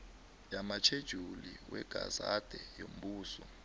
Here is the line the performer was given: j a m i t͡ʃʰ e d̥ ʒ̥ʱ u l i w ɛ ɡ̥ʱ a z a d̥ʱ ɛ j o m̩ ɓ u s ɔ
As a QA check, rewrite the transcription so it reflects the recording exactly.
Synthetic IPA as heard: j a m a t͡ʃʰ e d̥ ʒ̥ʱ u l i w ɛ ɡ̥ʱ a z a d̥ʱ ɛ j o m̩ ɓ uː s ɔ